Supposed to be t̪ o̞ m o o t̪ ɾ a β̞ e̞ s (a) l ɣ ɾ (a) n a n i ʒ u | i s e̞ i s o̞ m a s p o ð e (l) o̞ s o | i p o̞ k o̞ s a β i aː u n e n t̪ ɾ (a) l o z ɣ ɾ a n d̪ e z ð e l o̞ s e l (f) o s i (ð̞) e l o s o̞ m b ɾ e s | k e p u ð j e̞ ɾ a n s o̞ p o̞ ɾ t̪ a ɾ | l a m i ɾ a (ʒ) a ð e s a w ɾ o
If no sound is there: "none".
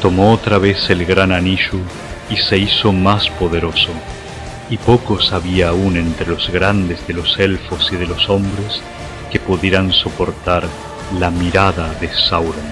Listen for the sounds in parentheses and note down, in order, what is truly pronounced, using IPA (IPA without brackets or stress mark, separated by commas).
e, a, ɾ, e, f, ð̞, ð